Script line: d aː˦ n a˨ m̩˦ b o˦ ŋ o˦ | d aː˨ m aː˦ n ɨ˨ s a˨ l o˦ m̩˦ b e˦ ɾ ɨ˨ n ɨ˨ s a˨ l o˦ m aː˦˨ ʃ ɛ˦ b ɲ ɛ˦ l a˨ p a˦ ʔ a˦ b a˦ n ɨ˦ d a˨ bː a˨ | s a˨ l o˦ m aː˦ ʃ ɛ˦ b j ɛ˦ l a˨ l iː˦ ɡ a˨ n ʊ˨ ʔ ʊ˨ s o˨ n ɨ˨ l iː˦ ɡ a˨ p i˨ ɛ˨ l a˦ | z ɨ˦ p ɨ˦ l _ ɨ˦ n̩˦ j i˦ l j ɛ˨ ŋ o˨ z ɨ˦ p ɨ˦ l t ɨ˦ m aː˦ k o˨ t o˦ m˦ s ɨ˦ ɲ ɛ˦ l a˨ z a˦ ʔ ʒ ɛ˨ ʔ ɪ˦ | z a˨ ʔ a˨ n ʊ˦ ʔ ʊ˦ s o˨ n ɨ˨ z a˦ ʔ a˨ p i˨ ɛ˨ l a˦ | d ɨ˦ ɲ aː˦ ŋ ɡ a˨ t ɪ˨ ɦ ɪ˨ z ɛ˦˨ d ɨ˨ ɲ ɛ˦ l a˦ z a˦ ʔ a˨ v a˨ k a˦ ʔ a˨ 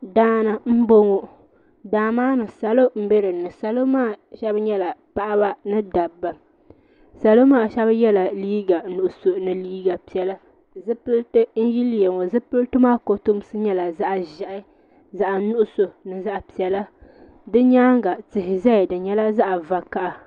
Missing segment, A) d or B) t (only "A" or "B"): B